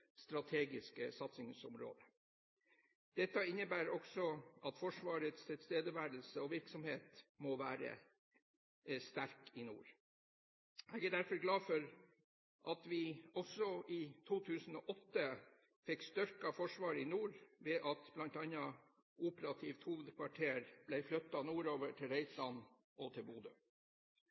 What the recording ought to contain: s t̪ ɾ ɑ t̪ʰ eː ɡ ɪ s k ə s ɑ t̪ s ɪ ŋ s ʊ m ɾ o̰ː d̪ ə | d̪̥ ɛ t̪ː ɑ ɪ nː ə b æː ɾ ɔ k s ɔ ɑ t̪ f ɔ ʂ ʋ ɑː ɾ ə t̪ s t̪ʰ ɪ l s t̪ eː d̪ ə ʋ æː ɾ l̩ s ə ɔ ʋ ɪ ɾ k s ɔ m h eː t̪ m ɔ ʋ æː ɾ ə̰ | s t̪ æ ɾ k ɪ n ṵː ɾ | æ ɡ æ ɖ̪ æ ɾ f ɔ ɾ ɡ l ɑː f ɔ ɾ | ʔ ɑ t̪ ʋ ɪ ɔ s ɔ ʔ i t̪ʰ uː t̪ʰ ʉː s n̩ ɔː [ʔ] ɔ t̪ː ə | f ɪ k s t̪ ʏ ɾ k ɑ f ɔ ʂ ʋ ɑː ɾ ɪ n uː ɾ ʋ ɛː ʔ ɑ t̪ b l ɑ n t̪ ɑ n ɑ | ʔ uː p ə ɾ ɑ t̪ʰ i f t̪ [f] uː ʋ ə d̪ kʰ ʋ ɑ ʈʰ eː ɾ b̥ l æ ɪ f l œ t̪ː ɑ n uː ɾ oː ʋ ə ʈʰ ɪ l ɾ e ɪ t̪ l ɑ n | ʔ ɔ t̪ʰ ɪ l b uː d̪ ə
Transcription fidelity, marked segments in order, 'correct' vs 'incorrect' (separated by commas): correct, incorrect